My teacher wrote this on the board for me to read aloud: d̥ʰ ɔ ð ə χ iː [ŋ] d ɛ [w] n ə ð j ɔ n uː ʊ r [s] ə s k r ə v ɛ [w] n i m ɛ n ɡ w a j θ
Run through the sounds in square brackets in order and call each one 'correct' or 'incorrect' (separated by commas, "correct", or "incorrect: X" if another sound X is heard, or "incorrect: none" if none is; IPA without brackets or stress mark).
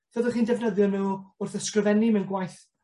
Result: incorrect: n, incorrect: v, incorrect: θ, incorrect: none